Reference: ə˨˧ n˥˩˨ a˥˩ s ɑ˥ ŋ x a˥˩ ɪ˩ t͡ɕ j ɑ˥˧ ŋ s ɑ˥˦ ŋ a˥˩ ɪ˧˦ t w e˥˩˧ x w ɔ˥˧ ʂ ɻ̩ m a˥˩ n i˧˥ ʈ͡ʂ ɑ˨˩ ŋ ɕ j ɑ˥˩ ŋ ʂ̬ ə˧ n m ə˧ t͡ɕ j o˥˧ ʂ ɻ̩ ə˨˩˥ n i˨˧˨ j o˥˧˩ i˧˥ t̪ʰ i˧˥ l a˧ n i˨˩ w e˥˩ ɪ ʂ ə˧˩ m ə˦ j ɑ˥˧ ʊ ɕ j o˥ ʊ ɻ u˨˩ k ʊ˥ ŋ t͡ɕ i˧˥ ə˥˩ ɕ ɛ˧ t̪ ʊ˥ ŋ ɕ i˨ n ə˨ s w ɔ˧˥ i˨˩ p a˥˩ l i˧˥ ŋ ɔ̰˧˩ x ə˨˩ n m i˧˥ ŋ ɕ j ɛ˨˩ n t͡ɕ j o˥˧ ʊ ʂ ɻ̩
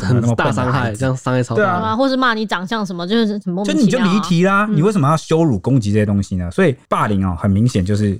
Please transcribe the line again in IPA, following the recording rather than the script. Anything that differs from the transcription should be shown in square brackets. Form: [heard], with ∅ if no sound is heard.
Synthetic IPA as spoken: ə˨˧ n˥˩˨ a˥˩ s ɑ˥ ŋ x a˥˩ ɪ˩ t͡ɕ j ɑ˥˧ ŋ s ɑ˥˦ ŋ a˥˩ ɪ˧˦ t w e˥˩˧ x w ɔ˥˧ ʂ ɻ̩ m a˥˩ n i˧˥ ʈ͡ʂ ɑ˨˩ ŋ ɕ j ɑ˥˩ ŋ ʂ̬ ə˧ n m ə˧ t͡ɕ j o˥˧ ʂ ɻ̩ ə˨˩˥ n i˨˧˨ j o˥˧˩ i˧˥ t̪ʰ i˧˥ l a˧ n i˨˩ w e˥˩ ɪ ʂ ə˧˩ m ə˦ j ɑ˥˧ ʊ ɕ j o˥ ʊ ɻ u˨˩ k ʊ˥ ŋ t͡ɕ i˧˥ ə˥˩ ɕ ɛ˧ t̪ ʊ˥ ŋ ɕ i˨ n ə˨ s w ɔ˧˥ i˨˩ p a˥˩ l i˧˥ ŋ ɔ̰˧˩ x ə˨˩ n m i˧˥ ŋ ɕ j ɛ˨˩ n t͡ɕ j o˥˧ ʊ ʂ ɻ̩